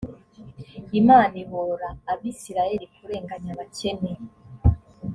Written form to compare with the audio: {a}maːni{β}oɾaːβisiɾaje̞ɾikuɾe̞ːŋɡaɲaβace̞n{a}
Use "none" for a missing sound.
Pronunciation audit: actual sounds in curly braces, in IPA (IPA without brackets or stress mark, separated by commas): i, β, e